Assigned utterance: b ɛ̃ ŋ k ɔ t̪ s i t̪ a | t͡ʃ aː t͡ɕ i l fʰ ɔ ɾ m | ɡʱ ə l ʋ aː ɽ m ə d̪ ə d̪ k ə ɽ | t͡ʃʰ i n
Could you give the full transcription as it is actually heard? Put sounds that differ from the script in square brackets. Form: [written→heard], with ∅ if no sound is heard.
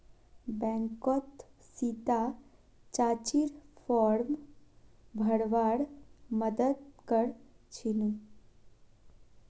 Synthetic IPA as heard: b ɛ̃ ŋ k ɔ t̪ s i t̪ a | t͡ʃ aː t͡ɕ i [l→ɾ] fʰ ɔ ɾ m | [ɡʱ→bʱ] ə [l→ɽ] ʋ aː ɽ m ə d̪ ə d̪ k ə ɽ | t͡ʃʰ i n